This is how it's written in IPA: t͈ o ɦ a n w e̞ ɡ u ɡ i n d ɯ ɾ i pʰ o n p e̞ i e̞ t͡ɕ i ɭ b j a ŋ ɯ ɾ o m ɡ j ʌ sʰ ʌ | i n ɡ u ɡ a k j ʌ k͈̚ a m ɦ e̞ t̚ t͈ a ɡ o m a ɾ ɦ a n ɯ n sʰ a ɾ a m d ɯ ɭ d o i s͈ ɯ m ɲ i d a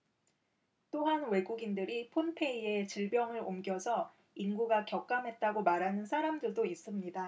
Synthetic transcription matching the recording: t͈ o ɦ a n w e̞ ɡ u ɡ i n d ɯ ɾ i pʰ o n pʰ e̞ i e̞ t͡ɕ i ɭ b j ʌ ŋ ɯ ɾ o m ɡ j ʌ sʰ ʌ | i n ɡ u ɡ a k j ʌ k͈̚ a m ɦ e̞ t̚ t͈ a ɡ o m a ɾ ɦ a n ɯ n sʰ a ɾ a m d ɯ ɭ d o i s͈ ɯ m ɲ i d a